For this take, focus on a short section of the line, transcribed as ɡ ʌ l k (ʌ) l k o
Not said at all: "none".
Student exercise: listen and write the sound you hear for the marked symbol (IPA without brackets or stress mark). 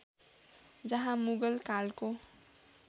a